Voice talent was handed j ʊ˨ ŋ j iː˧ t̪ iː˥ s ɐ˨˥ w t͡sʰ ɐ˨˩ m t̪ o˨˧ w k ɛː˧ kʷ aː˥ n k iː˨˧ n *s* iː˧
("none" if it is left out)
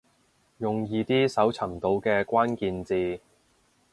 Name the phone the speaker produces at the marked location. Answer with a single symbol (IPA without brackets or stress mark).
t͡s